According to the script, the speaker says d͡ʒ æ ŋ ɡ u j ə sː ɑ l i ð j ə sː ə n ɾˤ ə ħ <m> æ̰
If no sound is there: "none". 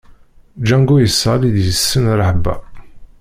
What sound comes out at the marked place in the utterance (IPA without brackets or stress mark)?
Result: b